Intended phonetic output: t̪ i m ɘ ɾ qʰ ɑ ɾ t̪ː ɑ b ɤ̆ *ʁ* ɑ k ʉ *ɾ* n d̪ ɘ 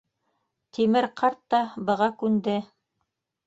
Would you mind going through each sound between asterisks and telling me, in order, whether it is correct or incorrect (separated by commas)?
correct, incorrect